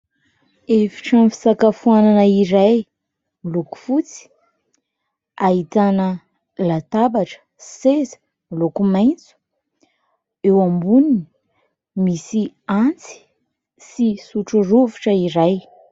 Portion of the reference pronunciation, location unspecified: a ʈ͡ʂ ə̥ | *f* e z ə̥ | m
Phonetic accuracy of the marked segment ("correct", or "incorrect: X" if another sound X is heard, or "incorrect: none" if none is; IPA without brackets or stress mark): incorrect: s